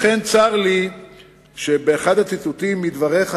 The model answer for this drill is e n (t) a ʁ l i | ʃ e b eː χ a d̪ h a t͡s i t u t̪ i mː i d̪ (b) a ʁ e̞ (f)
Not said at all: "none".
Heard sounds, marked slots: t͡s, v, χ

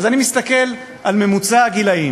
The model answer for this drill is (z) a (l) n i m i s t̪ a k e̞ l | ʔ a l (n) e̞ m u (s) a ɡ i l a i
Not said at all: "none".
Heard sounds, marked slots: z, none, m, t͡s

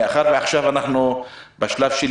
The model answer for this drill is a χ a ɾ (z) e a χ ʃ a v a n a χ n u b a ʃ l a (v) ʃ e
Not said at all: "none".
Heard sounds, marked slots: v, v

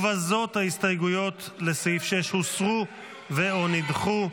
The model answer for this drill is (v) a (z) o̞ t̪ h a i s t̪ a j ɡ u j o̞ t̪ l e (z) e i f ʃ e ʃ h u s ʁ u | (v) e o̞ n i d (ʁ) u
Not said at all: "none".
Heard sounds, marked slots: v, z, s, v, χ

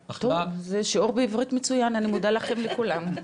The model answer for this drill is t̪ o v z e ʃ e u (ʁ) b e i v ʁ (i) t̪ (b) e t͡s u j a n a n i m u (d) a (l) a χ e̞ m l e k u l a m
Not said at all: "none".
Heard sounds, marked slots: ʁ, i, m, d, l

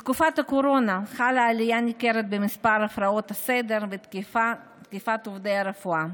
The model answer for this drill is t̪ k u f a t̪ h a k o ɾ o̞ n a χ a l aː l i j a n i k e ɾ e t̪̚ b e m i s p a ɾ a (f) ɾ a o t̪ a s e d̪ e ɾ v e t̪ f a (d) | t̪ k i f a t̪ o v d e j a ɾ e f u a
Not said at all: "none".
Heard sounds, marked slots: f, none

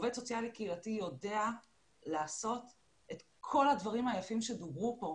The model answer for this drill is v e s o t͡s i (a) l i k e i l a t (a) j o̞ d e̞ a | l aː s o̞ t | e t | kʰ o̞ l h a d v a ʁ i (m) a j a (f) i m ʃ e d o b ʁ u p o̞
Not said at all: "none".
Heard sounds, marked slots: a, i, m, f

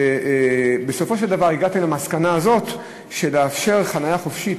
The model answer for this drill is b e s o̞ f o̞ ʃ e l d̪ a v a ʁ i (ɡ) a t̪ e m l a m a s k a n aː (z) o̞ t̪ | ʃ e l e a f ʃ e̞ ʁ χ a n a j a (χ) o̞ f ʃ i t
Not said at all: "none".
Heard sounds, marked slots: ɡ, z, χ

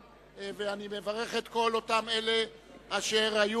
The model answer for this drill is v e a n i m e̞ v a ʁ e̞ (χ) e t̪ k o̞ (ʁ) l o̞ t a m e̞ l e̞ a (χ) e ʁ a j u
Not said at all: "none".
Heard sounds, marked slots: χ, none, ʃ

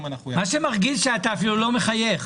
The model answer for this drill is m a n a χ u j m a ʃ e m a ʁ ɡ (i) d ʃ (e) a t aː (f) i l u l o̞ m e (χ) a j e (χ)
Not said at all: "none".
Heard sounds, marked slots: i, e, f, χ, χ

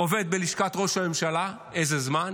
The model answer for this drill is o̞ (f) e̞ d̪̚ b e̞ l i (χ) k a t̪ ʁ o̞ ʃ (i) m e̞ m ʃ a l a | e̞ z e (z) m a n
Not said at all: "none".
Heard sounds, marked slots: v, ʃ, a, z

